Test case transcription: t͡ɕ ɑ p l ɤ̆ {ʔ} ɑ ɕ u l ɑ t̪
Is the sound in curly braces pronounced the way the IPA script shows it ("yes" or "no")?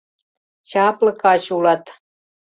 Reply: no